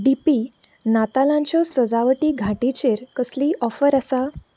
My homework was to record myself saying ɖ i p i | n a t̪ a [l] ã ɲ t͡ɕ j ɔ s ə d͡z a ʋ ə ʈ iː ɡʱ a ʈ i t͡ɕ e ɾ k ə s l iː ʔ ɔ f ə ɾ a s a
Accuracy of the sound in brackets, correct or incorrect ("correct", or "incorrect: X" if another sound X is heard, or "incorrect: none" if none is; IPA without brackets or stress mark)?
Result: correct